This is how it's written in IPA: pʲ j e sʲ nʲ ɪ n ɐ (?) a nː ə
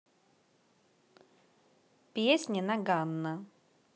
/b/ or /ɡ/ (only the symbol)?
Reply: ɡ